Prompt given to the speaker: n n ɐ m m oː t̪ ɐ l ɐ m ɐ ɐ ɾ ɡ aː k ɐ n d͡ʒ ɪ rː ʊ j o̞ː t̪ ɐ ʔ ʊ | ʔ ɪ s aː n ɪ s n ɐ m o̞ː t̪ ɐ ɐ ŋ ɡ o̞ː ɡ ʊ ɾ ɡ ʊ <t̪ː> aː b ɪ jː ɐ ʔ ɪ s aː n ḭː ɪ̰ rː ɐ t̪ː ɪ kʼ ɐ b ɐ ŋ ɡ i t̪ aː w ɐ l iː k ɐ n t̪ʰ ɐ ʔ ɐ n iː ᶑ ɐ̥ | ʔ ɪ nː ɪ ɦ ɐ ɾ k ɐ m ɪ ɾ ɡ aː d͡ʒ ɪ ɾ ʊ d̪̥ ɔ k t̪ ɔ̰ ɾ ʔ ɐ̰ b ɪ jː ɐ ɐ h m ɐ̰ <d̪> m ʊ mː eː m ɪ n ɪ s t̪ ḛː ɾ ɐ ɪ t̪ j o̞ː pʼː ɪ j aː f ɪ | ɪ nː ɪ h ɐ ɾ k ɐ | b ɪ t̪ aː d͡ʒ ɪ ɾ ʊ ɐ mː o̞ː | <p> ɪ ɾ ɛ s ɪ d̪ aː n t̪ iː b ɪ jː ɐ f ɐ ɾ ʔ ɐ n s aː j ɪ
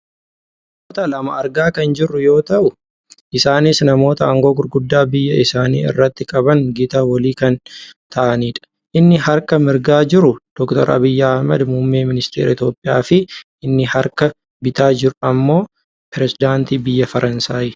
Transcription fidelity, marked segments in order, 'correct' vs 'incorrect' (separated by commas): incorrect, correct, correct